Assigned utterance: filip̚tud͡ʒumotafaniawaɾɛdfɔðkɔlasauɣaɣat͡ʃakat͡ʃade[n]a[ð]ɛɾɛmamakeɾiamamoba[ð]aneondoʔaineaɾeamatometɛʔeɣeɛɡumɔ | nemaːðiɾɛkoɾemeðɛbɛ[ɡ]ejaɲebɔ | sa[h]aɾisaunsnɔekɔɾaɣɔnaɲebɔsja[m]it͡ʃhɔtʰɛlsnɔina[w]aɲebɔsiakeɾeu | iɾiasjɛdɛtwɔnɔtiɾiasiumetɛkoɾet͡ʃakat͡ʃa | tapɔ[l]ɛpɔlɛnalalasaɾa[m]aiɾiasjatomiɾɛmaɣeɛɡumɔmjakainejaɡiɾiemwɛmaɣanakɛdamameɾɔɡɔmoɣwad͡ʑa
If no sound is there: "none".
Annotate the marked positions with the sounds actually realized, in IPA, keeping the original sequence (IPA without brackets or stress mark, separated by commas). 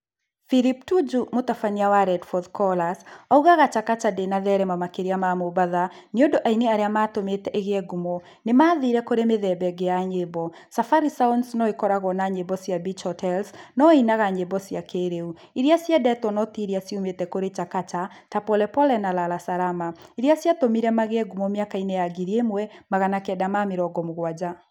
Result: n, ð, ð, ɡ, f, b, ɣ, l, m